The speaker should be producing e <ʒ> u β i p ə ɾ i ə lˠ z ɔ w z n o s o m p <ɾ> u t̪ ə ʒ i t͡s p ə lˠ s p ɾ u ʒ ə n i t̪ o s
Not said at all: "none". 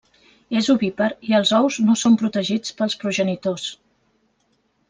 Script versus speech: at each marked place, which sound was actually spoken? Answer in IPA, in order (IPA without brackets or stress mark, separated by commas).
z, ɾ